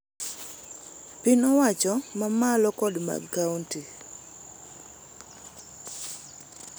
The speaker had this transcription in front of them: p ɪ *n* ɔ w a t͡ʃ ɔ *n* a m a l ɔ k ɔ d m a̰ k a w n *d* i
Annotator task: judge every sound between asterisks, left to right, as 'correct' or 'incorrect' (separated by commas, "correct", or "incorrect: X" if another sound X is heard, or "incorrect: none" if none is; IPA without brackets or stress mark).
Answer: correct, incorrect: m, incorrect: t